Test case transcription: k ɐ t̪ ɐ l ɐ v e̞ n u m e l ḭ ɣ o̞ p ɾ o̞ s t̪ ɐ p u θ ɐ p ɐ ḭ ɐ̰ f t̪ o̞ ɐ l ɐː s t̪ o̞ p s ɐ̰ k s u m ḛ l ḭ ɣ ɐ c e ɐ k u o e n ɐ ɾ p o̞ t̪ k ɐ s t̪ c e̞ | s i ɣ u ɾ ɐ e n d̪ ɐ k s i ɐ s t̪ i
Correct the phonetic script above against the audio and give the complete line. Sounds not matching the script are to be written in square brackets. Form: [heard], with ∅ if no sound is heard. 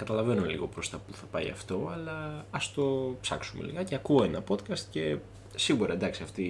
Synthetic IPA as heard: k ɐ t̪ ɐ l ɐ v e̞ n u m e l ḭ ɣ o̞ p ɾ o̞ s t̪ ɐ p u θ ɐ p ɐ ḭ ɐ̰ f t̪ o̞ ɐ l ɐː s t̪ o̞ p s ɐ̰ k s u m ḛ l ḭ ɣ ɐ c e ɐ k u o e n ɐ [∅] p o̞ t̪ k ɐ s t̪ c e̞ | s i ɣ u ɾ ɐ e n d̪ ɐ k s i ɐ [f] t̪ i